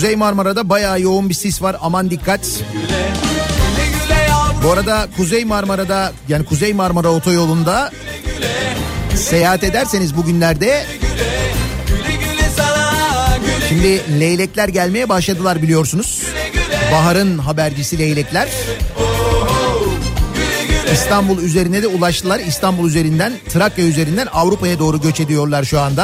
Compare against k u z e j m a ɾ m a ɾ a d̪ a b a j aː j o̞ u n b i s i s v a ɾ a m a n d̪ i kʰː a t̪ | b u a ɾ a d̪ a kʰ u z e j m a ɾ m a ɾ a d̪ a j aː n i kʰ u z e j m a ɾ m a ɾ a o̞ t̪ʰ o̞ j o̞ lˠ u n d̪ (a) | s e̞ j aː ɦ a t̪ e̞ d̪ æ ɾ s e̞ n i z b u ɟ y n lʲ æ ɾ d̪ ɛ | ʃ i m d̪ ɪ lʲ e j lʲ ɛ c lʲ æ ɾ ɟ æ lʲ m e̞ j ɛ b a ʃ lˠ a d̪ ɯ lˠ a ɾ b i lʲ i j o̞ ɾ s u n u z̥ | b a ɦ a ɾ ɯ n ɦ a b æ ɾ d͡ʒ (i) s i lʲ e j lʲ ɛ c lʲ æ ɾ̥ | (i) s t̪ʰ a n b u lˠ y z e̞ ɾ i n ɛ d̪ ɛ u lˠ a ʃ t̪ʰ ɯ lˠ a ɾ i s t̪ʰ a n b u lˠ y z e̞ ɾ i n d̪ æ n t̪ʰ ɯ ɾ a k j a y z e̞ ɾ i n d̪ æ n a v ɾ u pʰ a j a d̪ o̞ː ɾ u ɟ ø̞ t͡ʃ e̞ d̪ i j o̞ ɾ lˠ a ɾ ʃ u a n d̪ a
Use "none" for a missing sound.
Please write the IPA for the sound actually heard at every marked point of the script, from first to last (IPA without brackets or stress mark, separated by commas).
a, i, i